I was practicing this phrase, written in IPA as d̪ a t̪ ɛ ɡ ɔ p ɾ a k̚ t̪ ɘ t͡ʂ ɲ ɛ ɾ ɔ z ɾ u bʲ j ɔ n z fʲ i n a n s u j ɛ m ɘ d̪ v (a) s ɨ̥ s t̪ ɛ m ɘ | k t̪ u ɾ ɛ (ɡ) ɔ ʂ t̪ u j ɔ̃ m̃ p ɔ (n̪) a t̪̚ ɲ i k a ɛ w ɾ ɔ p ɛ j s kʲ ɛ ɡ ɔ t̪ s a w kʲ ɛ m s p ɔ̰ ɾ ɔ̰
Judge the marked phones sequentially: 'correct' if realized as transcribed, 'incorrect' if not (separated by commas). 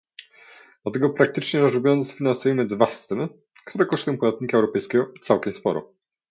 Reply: correct, incorrect, incorrect